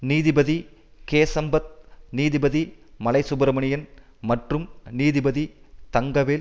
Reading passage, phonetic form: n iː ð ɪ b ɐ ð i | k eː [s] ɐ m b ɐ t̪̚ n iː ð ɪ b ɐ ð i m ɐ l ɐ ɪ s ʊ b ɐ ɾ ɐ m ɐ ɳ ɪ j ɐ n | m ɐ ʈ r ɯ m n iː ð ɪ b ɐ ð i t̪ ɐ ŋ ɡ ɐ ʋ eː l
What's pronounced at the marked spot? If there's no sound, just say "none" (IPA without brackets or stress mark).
s